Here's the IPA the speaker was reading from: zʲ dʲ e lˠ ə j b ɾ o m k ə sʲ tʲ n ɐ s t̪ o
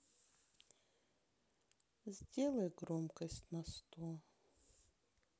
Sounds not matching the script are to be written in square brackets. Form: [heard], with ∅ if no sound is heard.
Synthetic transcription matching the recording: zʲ dʲ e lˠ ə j [ɡ] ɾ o m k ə sʲ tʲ n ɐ s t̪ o

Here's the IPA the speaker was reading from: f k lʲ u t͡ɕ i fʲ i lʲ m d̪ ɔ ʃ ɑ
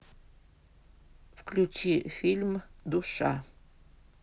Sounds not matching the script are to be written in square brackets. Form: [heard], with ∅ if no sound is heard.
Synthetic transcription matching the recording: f k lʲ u t͡ɕ i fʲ i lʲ m d̪ [u] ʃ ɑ

